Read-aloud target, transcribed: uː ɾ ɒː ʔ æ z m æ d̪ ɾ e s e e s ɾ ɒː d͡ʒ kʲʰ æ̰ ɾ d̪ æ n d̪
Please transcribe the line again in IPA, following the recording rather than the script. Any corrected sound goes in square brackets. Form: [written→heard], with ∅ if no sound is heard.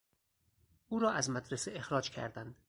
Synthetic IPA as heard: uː ɾ ɒː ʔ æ z m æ d̪ ɾ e s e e [s→x] ɾ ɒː d͡ʒ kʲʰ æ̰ ɾ d̪ æ n d̪